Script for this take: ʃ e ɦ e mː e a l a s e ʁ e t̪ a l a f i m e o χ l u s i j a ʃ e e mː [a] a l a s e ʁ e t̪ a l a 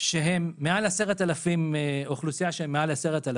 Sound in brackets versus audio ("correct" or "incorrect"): incorrect